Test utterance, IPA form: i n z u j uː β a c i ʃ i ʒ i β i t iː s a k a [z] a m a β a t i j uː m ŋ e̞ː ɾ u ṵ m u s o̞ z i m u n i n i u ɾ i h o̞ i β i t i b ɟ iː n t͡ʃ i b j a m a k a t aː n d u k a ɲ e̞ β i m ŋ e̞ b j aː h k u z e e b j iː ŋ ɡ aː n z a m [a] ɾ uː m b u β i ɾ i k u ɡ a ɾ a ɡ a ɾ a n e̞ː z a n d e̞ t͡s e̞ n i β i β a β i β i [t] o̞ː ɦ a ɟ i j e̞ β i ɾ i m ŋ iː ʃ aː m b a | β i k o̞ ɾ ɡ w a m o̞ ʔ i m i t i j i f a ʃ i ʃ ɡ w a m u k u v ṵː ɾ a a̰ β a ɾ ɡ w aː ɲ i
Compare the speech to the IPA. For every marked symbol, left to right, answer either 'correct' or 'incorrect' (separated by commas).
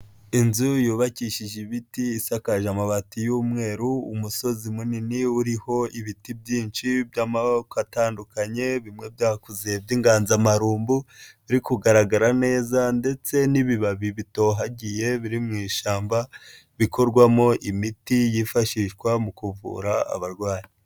incorrect, correct, correct